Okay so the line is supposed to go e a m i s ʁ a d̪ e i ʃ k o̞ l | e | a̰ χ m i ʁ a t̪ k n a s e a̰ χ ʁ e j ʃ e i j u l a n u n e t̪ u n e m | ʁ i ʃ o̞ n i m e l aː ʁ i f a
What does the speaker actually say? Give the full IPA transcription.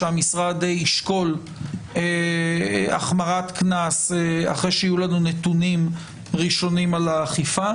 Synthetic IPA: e a m i s ʁ a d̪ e i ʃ k o̞ l | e | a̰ χ m a ʁ a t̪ k n a s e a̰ χ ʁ e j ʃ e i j u l a n u n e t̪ u n i m | ʁ i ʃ o̞ n i m a l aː χ i f a